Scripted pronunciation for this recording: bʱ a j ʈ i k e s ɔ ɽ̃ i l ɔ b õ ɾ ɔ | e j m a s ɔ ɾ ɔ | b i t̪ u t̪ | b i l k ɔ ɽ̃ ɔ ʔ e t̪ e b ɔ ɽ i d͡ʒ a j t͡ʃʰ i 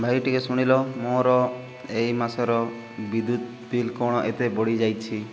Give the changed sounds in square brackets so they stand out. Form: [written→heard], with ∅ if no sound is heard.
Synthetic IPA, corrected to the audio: bʱ a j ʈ i k e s [ɔ→u] ɽ̃ i l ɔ [b→m] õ ɾ ɔ | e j m a s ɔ ɾ ɔ | b i [t̪→d̪] u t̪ | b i l k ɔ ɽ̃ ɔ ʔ e t̪ e b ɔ ɽ i d͡ʒ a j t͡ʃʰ i